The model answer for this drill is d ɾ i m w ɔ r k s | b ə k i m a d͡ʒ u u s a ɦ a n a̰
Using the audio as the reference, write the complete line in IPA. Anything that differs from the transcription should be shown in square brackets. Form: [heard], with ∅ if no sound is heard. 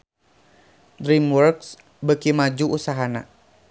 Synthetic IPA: d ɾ i m w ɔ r k s | b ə k i m a d͡ʒ u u s a ɦ a n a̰